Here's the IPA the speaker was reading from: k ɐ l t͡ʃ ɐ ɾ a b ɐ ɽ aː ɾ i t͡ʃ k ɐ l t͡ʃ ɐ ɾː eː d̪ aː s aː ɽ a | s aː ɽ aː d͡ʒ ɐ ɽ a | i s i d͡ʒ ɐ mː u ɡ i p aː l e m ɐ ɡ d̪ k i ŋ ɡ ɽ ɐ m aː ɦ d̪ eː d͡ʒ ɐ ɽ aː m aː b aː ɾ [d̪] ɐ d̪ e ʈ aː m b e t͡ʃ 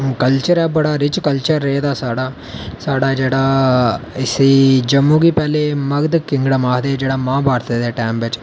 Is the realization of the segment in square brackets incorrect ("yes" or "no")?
yes